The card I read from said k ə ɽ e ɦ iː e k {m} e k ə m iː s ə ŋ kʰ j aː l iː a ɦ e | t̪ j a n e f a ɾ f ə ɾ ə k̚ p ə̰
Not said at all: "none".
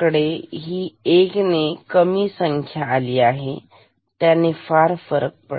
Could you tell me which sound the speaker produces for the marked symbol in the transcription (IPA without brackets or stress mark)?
n